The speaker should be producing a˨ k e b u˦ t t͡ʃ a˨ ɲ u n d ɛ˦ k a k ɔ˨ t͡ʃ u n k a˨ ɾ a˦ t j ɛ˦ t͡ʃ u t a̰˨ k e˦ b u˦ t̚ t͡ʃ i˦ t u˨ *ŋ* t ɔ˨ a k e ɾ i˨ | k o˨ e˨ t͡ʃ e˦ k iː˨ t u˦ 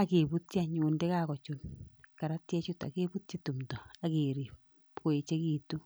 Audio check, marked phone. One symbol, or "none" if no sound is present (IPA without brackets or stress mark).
m